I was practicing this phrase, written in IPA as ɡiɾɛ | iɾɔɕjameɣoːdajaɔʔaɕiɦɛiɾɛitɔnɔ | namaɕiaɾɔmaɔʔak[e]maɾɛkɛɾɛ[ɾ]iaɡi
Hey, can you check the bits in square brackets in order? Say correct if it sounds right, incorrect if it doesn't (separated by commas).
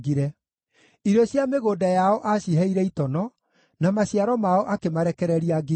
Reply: correct, correct